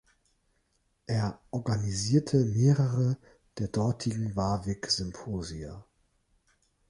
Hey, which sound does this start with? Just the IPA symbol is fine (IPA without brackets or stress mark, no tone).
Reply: ʔ